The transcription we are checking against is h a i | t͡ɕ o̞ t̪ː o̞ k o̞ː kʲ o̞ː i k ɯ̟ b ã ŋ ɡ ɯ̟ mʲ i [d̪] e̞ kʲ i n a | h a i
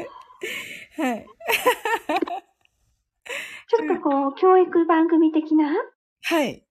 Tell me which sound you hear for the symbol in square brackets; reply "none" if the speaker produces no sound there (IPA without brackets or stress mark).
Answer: t̪